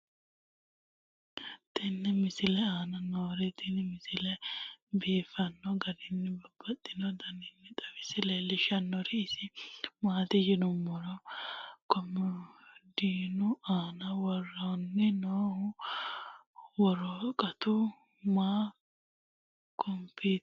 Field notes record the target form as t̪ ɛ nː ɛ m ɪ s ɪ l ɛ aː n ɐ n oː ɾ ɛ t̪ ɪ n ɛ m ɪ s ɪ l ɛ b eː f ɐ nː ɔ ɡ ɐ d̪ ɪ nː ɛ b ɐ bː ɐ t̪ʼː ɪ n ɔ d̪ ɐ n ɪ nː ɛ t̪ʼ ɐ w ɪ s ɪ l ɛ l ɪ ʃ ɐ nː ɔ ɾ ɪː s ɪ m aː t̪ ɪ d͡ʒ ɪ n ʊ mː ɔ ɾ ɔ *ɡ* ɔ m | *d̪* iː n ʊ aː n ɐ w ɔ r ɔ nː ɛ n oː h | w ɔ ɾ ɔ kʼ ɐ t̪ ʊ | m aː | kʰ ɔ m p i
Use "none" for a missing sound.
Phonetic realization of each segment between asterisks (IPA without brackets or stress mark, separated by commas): k, d̪